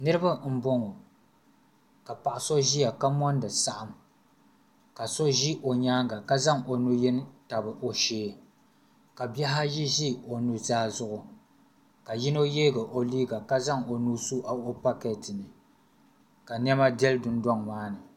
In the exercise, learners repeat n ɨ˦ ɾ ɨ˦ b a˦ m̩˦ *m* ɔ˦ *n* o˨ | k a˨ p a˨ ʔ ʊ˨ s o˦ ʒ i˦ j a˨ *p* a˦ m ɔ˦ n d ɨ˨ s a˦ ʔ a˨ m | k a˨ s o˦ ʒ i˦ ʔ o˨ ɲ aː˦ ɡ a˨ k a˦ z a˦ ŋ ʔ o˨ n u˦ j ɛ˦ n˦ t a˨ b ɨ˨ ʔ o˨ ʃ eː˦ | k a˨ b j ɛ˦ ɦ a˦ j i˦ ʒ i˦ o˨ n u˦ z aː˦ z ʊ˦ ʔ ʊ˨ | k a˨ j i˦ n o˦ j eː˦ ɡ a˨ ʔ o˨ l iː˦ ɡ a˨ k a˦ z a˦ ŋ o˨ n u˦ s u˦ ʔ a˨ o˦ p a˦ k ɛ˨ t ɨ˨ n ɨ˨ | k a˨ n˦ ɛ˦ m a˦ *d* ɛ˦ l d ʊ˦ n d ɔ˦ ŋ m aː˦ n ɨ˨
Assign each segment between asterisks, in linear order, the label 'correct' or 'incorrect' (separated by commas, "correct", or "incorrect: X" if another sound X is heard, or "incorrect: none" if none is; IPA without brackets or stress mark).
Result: incorrect: b, incorrect: ŋ, incorrect: k, correct